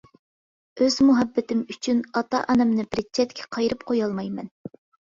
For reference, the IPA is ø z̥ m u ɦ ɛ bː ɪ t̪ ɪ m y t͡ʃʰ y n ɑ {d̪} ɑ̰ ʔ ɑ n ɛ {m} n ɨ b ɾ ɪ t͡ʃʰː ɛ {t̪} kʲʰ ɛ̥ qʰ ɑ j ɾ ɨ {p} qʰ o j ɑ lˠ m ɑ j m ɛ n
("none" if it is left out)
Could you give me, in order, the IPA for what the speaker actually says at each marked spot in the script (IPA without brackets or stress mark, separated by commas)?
t̪, m, t̪, p